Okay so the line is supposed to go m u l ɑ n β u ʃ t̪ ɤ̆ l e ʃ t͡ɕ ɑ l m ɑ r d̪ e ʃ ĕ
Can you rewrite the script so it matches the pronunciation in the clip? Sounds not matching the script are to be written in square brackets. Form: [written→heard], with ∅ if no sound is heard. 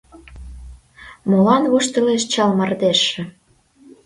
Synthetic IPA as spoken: m [u→o] l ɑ n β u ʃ t̪ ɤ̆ l e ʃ t͡ɕ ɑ l m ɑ r d̪ e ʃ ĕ